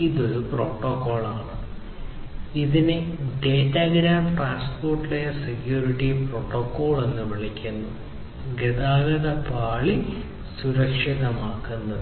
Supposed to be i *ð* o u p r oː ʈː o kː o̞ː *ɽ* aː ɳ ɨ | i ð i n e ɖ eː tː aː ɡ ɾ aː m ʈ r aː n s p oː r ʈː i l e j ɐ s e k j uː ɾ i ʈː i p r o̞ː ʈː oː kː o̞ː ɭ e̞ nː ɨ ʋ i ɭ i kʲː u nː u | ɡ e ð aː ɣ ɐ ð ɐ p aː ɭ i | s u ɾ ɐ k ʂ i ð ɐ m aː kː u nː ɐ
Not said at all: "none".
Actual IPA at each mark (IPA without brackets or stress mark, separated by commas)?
ð, ɭ